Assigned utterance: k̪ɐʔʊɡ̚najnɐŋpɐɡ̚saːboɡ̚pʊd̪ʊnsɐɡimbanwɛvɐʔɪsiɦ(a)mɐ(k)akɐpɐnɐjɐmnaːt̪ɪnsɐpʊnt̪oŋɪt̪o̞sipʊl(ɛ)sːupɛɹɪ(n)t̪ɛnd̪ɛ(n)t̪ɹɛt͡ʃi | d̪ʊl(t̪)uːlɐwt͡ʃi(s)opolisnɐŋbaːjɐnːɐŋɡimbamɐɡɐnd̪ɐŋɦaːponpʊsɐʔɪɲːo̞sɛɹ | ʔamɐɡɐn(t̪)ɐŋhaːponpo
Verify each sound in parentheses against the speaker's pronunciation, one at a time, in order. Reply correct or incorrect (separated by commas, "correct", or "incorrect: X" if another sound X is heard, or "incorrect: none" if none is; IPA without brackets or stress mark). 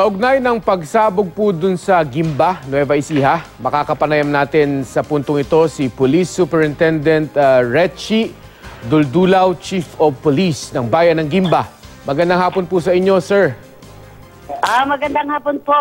correct, correct, incorrect: i, correct, correct, incorrect: d̪, incorrect: f, incorrect: d̪